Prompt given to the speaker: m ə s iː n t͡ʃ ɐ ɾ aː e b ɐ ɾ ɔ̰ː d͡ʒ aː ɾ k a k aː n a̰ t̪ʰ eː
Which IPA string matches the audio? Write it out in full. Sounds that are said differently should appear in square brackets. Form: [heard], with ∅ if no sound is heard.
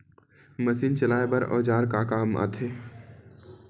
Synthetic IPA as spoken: m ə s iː n t͡ʃ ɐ [l] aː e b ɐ ɾ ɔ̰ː d͡ʒ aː ɾ k a k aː [m] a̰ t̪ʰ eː